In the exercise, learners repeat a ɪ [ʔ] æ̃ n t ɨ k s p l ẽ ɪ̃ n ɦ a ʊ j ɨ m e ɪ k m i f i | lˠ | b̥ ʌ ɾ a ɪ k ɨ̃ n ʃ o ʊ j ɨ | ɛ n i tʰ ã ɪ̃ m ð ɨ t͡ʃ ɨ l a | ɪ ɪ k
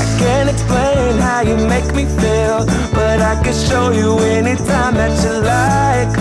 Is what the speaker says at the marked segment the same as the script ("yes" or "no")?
no